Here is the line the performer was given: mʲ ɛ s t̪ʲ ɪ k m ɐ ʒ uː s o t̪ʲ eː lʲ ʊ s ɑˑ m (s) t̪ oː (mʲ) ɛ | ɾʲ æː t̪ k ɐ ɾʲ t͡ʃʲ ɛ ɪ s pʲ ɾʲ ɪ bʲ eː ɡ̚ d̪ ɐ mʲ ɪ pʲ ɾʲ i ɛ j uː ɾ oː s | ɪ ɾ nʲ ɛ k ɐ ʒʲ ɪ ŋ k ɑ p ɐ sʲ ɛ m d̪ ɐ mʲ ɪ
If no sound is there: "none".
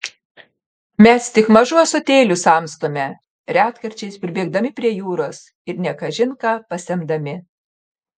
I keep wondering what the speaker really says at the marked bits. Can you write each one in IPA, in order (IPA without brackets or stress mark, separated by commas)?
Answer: s, mʲ